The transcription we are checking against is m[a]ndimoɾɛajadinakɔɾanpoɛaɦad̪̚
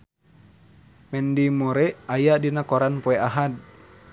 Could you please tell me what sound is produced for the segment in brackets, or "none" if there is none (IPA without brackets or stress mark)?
ɛ